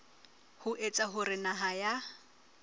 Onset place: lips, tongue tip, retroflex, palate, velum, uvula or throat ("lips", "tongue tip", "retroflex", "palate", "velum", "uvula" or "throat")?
throat